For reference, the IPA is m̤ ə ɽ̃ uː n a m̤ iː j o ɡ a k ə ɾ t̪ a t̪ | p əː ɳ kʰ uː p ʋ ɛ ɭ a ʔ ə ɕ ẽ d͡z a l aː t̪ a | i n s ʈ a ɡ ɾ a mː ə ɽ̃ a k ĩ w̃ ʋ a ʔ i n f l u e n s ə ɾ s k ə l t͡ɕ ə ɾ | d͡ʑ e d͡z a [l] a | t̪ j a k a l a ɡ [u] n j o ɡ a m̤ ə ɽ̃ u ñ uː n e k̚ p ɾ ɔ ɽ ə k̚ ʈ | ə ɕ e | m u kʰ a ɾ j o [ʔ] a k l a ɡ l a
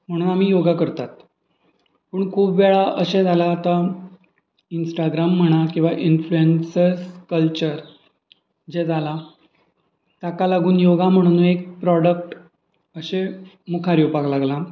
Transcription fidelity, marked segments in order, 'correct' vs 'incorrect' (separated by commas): correct, incorrect, incorrect